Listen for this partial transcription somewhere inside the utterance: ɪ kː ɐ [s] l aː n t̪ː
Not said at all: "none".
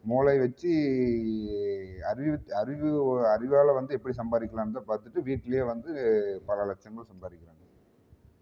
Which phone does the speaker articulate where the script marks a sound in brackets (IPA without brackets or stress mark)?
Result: none